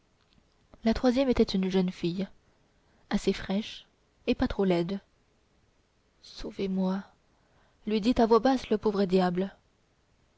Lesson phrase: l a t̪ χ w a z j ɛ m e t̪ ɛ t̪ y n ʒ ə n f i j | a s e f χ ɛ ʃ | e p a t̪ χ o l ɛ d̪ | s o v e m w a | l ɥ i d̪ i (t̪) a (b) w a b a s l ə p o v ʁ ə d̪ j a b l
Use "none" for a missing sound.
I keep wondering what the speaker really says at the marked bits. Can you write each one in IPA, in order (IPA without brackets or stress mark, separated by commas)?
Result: t̪, v